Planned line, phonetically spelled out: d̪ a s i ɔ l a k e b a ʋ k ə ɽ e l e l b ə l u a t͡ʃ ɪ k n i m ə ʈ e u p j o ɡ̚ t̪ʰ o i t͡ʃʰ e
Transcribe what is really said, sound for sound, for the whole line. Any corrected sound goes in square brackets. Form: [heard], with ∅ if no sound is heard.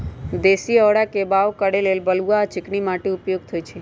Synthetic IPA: d̪ [e] s i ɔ [ɽ] a k e b a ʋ k ə ɽ e l e l b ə l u a t͡ʃ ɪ k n i m [a] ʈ e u p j o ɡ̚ t̪ʰ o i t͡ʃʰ e